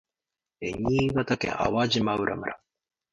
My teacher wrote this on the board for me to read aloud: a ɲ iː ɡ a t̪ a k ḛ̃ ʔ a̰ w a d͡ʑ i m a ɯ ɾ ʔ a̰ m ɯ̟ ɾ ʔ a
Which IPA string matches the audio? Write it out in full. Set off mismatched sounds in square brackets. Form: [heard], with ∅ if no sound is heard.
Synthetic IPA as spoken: [e] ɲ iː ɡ a t̪ a k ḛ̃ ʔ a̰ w a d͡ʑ i m a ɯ ɾ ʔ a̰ m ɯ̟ ɾ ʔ a